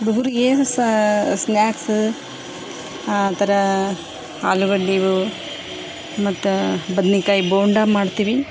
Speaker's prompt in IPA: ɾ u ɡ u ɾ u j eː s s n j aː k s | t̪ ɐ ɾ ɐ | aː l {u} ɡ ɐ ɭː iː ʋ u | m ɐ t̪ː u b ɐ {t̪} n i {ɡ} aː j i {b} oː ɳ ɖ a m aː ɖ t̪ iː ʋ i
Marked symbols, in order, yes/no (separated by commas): yes, no, no, yes